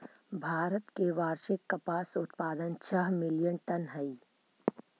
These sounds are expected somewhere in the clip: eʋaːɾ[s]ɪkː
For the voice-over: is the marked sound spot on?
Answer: no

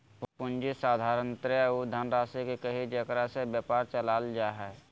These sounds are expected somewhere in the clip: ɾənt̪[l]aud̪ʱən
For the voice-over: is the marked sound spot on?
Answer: no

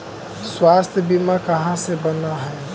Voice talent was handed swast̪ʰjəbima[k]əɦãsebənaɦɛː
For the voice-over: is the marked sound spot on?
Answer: yes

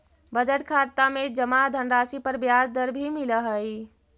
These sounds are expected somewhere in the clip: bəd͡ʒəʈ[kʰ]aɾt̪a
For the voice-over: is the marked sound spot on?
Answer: yes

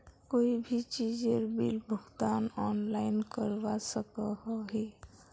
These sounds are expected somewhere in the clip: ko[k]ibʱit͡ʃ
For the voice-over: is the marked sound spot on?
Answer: no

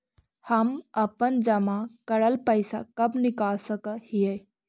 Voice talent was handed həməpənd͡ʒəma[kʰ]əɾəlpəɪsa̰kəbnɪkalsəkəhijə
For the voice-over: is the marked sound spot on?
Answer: no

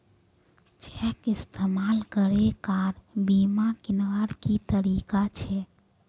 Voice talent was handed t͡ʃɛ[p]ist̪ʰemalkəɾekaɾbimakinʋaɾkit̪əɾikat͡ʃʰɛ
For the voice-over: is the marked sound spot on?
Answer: no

